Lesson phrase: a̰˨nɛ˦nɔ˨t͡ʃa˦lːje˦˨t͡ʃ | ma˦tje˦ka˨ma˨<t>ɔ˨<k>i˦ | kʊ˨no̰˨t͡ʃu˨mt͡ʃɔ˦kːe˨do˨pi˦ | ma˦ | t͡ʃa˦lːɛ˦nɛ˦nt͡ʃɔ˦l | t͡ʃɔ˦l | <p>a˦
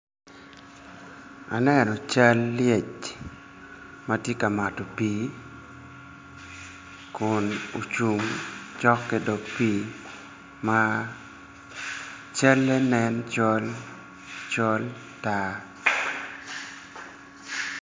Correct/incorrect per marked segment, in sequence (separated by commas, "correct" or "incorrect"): correct, incorrect, incorrect